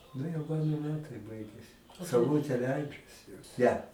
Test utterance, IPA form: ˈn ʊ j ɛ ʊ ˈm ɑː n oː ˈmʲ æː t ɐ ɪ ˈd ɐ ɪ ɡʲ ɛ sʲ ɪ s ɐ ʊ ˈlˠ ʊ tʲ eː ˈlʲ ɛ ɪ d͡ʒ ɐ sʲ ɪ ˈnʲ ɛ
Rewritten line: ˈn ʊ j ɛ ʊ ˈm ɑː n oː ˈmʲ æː t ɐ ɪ ˈb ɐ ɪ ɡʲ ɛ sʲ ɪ s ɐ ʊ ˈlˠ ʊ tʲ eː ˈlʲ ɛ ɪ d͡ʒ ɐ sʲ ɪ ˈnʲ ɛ